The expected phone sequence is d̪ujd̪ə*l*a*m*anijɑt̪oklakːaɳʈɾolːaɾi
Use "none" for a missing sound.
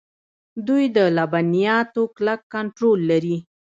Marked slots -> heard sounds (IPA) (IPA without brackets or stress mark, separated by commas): l, b